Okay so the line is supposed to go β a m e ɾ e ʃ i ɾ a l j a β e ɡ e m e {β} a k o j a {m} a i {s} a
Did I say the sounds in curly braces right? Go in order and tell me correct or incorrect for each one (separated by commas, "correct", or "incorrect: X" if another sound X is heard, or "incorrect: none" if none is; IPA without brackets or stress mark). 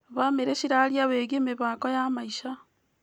correct, correct, incorrect: ʃ